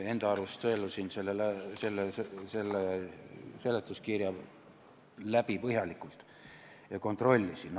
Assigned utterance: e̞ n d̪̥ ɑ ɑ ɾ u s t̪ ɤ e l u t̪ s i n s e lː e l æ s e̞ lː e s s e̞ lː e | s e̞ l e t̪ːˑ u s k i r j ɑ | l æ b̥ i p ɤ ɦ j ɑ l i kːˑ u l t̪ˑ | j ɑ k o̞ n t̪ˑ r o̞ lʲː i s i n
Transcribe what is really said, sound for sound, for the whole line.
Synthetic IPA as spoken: e̞ n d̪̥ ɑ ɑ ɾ u s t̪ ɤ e l u s i n s e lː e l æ s e̞ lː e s s e̞ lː e | s e̞ l e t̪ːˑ u s k i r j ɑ | l æ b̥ i p ɤ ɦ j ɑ l i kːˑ u l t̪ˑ | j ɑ k o̞ n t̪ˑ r o̞ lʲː i s i n